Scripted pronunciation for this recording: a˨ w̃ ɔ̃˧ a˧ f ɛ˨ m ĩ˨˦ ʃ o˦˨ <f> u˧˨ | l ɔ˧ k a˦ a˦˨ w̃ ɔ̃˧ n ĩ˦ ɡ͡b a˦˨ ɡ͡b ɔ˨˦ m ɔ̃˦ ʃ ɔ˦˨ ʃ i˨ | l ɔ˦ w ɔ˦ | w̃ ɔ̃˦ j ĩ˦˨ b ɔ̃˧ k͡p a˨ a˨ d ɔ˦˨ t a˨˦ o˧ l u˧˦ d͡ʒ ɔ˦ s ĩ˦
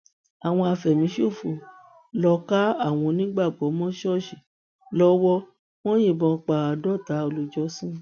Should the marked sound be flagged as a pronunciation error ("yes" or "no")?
no